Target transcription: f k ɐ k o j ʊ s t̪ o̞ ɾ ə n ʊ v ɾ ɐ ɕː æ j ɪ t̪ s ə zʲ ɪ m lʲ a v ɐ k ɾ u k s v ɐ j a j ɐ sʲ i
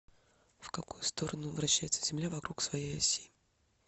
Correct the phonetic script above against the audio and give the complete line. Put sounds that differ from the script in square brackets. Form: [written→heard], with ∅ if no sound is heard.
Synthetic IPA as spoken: f k ɐ k [o→u] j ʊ s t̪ o̞ ɾ ə n ʊ v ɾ ɐ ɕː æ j ɪ t̪ s ə zʲ ɪ m lʲ a v ɐ k ɾ u k s v ɐ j [a→e] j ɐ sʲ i